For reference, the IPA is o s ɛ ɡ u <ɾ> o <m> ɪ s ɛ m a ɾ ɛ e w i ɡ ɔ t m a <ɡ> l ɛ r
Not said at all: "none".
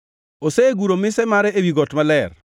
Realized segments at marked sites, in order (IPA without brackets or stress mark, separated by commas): ɾ, m, none